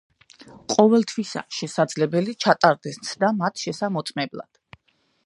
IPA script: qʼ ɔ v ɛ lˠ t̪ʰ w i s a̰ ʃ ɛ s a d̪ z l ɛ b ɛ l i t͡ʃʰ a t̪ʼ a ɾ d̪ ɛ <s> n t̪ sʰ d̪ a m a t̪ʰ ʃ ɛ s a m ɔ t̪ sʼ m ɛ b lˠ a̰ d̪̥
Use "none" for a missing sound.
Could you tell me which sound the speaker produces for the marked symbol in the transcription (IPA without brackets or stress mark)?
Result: s